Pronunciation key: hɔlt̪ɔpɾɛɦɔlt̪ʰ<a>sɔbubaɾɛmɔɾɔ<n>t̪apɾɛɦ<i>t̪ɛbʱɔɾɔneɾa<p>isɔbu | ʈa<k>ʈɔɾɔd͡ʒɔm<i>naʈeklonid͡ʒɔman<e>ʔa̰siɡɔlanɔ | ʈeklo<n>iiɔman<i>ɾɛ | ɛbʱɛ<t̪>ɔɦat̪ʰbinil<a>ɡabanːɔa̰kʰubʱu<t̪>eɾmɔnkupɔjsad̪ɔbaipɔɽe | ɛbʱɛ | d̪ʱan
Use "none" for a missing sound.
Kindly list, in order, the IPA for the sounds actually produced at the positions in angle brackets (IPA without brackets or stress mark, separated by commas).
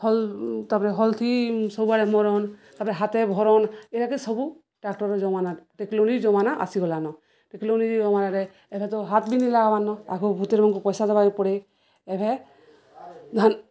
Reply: i, n, a, k, k, a, a, n, a, t̪, a, t̪